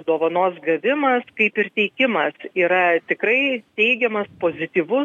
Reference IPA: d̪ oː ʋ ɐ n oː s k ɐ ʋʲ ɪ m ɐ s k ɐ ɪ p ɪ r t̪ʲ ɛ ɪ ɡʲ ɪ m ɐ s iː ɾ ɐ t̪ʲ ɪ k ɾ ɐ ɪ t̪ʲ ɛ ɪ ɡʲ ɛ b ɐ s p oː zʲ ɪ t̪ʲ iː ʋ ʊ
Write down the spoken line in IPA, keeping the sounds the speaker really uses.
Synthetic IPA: d̪ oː ʋ ɐ n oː s ɡ ɐ ʋʲ ɪ m ɐ s k ɐ ɪ p ɪ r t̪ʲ ɛ ɪ kʲ ɪ m ɐ s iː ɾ ɐ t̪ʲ ɪ k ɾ ɐ ɪ t̪ʲ ɛ ɪ ɡʲ ɛ m ɐ s p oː zʲ ɪ t̪ʲ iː ʋ ʊ

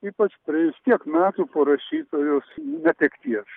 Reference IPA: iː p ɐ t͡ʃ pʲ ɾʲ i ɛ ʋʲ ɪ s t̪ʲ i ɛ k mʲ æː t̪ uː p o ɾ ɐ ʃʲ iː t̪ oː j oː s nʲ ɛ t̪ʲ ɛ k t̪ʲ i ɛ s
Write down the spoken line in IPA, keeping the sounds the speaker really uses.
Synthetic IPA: iː p ɐ t͡ʃ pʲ ɾʲ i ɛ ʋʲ ɪ s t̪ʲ i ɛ k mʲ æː t̪ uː p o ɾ ɐ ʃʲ iː t̪ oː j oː s nʲ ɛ t̪ʲ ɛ k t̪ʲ i ɛ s

